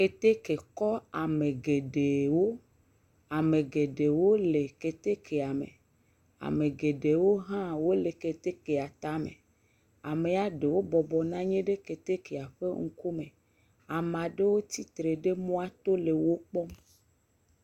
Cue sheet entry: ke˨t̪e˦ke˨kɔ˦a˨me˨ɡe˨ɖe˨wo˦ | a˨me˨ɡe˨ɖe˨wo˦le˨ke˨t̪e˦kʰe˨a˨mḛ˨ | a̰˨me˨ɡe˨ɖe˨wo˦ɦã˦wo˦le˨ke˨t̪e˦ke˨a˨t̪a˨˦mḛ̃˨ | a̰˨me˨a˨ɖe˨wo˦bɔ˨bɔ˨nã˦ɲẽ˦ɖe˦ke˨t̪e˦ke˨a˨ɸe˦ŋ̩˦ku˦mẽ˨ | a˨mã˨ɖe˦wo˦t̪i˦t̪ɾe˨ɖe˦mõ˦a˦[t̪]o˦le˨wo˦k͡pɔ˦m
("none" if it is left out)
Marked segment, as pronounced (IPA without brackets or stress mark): t̪